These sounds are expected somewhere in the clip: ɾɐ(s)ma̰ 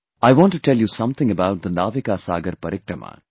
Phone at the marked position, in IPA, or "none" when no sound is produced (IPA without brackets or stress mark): none